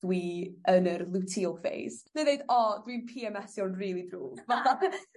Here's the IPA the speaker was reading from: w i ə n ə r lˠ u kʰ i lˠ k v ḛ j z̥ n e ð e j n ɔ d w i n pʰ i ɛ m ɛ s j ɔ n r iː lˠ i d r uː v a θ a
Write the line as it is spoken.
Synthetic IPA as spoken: w i ə n ə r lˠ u tʰ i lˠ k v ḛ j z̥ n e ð e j d ɔ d w i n pʰ i ɛ m ɛ s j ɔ n r iː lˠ i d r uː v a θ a